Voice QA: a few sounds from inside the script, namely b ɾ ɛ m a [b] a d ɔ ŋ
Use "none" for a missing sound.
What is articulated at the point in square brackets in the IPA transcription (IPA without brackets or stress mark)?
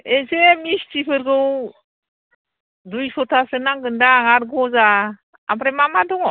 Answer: m